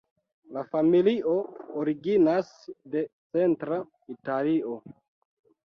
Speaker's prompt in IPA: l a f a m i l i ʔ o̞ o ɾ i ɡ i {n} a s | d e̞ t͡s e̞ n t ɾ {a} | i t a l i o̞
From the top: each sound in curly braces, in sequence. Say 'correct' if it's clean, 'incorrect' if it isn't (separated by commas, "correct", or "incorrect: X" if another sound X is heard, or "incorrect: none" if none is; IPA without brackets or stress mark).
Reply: correct, correct